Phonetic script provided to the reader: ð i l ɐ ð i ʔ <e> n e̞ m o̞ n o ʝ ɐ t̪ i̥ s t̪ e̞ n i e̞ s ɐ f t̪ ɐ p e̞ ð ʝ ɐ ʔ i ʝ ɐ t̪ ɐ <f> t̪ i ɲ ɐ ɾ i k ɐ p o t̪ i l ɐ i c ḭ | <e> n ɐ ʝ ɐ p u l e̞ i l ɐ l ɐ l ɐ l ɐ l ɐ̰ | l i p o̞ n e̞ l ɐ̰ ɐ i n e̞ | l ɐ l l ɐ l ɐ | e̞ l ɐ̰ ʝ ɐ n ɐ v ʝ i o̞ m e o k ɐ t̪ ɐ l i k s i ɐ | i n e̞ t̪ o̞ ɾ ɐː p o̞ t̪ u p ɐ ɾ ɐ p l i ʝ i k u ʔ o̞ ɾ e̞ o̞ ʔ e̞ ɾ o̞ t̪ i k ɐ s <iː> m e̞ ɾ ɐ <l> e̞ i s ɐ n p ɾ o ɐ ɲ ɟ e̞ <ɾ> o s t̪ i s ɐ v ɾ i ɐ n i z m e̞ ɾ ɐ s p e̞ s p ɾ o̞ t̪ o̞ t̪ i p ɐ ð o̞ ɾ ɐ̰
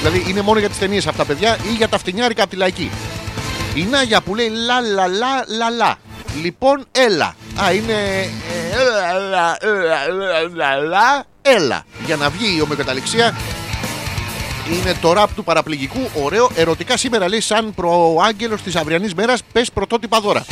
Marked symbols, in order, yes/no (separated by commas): no, yes, no, no, yes, no